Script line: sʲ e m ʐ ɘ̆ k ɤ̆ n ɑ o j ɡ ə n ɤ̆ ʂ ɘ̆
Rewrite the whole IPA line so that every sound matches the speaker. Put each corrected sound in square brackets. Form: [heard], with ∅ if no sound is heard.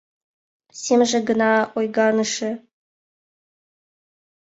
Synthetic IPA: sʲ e m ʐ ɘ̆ [ɡ] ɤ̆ n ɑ o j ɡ [ɑ] n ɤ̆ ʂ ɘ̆